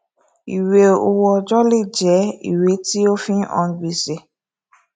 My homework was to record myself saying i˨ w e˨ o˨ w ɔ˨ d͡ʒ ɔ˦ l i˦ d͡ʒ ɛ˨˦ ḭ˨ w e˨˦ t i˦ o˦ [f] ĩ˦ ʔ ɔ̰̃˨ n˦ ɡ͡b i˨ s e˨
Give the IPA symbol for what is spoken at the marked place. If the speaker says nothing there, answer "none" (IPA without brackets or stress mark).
f